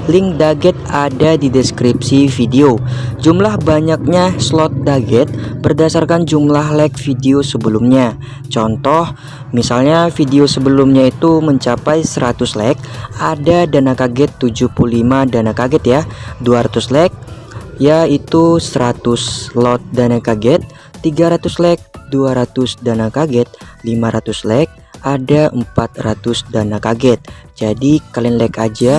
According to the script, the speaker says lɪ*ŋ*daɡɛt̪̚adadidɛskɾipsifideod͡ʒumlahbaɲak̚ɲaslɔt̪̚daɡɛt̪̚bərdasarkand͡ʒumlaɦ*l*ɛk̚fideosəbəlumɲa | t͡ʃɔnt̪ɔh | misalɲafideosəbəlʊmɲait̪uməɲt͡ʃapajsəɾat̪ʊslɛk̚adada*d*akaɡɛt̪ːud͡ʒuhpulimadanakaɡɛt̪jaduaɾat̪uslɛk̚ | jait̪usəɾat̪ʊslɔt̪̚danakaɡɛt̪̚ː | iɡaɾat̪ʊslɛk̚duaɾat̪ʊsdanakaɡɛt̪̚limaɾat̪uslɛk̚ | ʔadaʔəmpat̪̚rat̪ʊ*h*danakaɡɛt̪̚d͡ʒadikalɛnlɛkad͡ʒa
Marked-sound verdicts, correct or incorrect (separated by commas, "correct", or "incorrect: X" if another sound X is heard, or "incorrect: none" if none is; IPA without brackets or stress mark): correct, correct, incorrect: n, incorrect: s